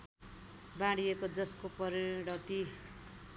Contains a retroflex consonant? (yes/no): yes